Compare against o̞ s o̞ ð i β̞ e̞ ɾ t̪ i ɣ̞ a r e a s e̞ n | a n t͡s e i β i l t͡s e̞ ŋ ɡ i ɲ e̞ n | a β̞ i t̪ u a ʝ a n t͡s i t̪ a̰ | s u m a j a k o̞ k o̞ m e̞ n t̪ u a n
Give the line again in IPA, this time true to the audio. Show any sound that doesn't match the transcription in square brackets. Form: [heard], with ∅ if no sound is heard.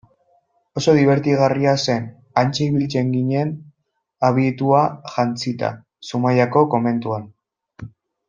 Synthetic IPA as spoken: o̞ s o̞ ð i β̞ e̞ ɾ t̪ i ɣ̞ a r [i] a s e̞ n | a n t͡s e i β i l t͡s e̞ ŋ ɡ i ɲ e̞ n | a β̞ i t̪ u a ʝ a n t͡s i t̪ a̰ | s u m a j a k o̞ k o̞ m e̞ n t̪ u a n